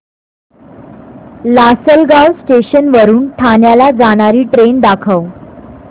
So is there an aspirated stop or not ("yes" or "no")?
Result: yes